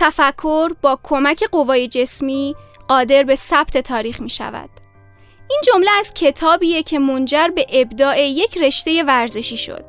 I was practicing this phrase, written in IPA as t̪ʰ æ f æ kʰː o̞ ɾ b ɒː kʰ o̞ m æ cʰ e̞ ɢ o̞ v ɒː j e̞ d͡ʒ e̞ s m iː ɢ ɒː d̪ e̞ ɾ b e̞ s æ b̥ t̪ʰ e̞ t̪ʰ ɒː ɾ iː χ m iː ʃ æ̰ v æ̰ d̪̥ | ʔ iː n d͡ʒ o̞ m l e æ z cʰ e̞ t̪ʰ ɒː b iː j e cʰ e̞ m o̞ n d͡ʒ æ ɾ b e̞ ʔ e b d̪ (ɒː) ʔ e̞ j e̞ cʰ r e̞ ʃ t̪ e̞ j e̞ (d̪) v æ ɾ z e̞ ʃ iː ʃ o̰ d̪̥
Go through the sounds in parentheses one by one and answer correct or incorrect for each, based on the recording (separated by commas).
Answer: correct, incorrect